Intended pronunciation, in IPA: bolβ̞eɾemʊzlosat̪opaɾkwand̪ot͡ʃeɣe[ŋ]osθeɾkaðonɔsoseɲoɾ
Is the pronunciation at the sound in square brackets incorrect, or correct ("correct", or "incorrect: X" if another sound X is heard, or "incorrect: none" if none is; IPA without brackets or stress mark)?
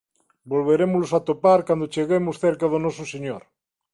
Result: incorrect: m